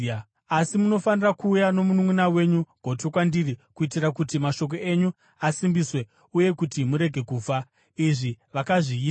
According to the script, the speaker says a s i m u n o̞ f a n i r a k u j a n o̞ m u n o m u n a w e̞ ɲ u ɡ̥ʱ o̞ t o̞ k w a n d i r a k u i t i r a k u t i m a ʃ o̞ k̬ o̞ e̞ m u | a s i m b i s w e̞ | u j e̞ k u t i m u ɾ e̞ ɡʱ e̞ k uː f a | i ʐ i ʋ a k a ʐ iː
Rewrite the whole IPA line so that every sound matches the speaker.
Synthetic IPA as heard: a s i m u n o̞ f a n i r a k uː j a n o̞ m u n u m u n a w e̞ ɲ u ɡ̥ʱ o̞ t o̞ k w a n d i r i k u i t i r a k u t i m a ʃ o̞ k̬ o̞ e̞ ɲ u | a s i m b i s w e̞ | u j e̞ k u t i m u ɾ e̞ ɡʱ e̞ k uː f a | i ʐ i ʋ a k a ʐ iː